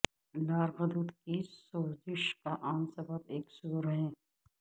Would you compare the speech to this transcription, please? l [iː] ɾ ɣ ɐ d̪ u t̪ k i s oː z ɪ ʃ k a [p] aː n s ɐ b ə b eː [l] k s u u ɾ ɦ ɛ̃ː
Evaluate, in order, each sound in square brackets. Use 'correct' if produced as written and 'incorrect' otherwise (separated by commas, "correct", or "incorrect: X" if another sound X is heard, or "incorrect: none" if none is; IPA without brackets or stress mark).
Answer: incorrect: aː, incorrect: ʔ, incorrect: none